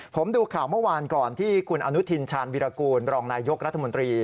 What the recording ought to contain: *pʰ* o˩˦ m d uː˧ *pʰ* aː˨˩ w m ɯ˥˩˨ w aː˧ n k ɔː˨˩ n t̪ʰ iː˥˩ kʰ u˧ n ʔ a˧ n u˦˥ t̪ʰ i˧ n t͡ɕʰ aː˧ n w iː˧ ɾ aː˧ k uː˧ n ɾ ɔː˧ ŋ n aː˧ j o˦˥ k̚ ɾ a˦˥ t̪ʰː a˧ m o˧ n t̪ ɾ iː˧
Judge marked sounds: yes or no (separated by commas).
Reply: yes, no